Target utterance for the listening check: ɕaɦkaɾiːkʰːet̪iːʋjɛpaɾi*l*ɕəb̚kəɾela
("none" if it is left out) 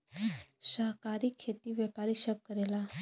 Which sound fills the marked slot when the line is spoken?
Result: none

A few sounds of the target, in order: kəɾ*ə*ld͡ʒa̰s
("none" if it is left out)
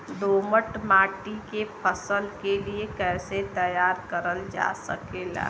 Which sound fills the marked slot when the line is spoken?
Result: ə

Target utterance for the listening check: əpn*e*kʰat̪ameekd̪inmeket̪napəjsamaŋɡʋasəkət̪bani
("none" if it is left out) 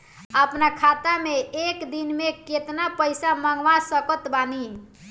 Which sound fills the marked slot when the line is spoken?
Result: a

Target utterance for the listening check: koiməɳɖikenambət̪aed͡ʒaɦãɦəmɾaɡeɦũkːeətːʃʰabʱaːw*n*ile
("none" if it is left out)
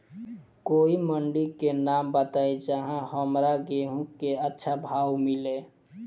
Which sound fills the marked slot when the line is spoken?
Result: m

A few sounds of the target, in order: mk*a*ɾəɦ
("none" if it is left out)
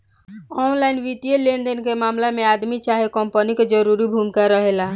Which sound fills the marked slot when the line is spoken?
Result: a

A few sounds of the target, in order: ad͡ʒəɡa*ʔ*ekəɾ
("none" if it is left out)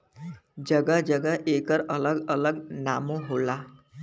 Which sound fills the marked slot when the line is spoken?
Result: ʔ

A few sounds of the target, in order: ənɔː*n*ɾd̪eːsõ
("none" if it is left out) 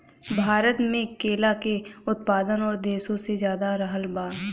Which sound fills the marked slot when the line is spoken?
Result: none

